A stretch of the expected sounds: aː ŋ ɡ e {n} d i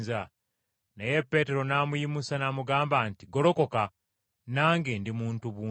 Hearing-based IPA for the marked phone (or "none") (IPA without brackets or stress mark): n